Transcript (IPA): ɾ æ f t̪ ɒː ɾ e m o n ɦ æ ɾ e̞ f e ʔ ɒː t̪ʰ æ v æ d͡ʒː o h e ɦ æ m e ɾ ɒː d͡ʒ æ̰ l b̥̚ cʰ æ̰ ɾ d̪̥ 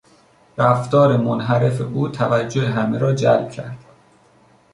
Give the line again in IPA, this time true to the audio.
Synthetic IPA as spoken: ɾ æ f t̪ ɒː ɾ e m o n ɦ æ ɾ e̞ f e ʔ uː t̪ʰ æ v æ d͡ʒː o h e ɦ æ m e ɾ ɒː d͡ʒ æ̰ l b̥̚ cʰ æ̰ ɾ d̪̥